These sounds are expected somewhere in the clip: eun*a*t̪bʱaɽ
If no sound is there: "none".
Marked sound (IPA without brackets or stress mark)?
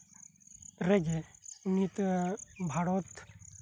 i